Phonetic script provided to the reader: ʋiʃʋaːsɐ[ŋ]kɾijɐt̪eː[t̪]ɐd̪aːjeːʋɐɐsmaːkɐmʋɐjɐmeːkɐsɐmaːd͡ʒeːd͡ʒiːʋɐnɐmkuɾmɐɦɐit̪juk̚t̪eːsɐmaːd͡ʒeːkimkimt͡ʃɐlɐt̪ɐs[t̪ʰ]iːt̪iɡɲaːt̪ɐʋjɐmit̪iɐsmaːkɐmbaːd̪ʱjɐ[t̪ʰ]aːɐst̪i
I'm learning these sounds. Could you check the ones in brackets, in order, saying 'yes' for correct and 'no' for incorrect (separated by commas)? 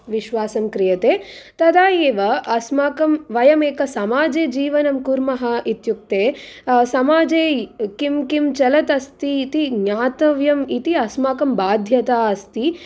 no, yes, no, no